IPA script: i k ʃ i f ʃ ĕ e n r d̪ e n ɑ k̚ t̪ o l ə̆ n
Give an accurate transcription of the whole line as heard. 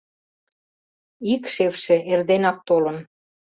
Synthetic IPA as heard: i k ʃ e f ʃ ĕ e r d̪ e n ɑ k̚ t̪ o l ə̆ n